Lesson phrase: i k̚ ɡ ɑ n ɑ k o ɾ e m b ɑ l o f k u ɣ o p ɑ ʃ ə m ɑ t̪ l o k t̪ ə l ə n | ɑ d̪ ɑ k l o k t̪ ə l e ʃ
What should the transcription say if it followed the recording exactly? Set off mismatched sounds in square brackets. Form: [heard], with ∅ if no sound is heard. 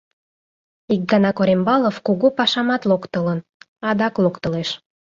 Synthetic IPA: i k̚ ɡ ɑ n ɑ k o ɾ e m b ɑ l o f k u ɣ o p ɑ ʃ [ɑ] m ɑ t̪ l o k t̪ ə l ə n | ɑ d̪ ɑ k l o k t̪ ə l e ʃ